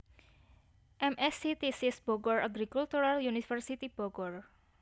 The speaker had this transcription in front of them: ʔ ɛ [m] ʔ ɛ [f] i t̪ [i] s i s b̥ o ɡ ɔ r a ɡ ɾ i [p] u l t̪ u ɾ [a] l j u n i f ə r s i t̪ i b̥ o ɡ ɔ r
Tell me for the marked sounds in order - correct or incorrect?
correct, incorrect, correct, incorrect, correct

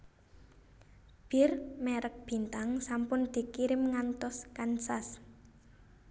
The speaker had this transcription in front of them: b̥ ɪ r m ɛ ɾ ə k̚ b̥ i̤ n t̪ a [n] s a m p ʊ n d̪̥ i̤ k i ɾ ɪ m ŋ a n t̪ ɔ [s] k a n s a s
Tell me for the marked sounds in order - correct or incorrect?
incorrect, correct

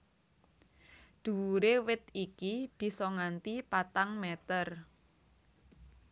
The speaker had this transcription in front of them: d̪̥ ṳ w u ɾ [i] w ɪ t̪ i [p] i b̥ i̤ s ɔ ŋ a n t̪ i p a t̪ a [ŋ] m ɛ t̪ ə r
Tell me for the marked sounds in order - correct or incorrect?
incorrect, incorrect, correct

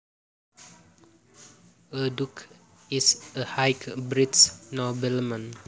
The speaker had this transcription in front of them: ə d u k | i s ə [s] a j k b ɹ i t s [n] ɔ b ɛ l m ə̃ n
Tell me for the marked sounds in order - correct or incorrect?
incorrect, correct

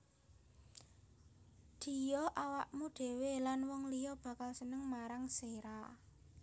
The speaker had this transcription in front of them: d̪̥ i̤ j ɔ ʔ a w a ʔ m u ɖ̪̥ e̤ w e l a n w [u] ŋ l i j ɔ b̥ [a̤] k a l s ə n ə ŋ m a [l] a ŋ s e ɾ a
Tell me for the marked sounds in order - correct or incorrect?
incorrect, correct, incorrect

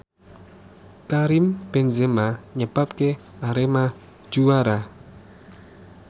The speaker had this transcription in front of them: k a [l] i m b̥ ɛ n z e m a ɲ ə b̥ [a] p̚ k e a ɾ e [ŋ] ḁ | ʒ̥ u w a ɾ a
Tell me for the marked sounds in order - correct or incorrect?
incorrect, correct, incorrect

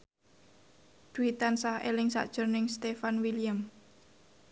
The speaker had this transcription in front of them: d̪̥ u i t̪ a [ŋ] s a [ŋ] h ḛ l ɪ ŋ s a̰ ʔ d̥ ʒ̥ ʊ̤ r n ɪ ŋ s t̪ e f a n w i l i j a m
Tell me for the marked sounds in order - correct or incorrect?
incorrect, incorrect

